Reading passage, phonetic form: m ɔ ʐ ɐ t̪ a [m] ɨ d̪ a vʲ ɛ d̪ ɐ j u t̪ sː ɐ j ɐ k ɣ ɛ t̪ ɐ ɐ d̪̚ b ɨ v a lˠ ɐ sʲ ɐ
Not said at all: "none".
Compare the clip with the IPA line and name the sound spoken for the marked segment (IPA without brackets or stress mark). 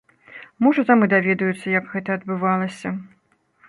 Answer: m